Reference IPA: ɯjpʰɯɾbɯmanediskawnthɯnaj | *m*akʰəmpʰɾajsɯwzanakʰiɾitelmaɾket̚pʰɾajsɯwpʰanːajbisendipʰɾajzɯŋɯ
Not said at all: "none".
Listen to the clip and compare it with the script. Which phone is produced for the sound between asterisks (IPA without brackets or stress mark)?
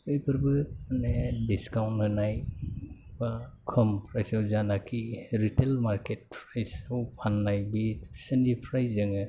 b